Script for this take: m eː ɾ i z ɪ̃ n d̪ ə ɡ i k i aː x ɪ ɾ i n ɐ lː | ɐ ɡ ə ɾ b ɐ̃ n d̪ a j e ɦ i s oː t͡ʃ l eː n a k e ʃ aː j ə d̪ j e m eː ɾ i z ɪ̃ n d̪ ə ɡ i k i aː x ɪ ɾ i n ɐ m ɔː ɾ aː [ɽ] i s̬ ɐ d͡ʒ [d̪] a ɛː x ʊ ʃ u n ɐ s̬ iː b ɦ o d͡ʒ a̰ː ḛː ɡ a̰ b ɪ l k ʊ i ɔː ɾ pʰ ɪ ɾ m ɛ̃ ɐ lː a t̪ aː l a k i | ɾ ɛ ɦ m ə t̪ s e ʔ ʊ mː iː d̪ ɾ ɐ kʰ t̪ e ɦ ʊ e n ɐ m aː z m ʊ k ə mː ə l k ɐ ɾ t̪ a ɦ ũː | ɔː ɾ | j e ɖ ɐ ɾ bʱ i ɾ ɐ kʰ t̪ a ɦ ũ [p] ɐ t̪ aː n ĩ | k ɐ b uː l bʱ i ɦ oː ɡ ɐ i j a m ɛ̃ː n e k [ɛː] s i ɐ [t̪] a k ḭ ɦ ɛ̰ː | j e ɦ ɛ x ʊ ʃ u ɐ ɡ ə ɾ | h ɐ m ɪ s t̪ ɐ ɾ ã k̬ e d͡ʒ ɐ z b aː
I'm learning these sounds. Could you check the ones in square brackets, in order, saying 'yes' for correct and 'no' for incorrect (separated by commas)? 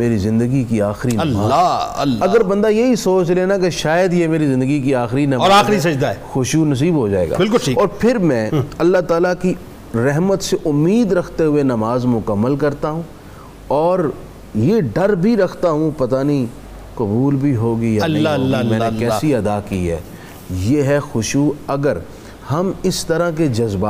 no, yes, yes, yes, no